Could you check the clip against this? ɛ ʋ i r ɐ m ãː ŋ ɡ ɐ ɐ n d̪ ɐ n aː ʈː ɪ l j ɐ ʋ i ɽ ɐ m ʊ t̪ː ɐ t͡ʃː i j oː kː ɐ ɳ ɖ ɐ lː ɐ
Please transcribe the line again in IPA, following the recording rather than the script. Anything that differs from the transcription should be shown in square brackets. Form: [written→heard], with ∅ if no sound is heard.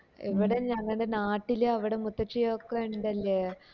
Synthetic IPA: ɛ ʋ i [r→ɽ] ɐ [m→ɲ] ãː ŋ ɡ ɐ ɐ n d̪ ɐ n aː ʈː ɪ l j ɐ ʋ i ɽ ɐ m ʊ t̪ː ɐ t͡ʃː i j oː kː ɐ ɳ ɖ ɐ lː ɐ